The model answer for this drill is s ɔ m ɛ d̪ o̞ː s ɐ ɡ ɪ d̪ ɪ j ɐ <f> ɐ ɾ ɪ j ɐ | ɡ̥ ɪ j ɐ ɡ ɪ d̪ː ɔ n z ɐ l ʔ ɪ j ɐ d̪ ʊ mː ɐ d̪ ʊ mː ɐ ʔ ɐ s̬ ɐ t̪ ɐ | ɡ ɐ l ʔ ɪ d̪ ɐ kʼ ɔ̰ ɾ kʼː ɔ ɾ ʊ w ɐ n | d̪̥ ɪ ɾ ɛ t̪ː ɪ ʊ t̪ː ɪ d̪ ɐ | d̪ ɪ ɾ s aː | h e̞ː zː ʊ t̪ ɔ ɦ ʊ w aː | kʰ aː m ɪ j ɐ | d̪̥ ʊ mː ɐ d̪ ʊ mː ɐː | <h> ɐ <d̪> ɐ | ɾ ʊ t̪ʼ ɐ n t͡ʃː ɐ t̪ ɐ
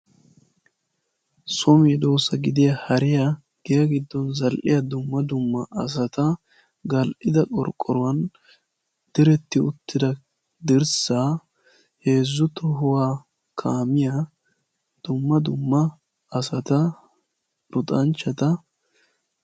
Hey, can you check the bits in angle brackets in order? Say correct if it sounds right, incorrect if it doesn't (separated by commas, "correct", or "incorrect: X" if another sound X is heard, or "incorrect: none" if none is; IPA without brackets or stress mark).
incorrect: h, incorrect: s, incorrect: t̪